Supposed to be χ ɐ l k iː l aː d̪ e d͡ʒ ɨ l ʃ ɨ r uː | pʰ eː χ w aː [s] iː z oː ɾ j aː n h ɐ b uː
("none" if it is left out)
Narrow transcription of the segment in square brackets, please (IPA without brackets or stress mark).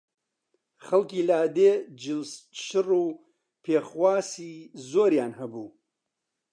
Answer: s